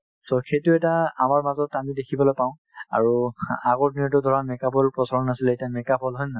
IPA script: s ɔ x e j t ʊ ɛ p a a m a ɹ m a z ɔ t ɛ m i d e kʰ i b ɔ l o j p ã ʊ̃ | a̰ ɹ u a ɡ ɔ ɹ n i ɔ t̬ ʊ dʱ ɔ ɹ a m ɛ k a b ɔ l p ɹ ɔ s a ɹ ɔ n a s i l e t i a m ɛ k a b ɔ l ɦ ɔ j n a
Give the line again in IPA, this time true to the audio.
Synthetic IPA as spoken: s ɔ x e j t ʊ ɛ t a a m a ɹ m a z ɔ t a m i d e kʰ i b ɔ l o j p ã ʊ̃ | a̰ ɹ u a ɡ ɔ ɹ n i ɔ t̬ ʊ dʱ ɔ ɹ a m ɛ k a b ɔ l p ɹ ɔ s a ɹ ɔ n a s i l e t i a m ɛ k a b ɔ l ɦ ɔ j n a